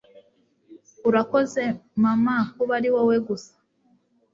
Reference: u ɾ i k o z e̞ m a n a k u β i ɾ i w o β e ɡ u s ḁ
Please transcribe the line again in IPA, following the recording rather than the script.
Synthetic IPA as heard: u ɾ a k o z e̞ m a m a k u β a ɾ i w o w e ɡ u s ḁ